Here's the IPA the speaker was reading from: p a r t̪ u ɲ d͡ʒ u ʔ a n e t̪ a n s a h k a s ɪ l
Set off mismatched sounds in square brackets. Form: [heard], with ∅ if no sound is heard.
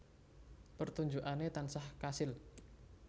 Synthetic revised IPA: p [ə] r t̪ u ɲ d͡ʒ u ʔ a n e t̪ a n s a h k a s ɪ l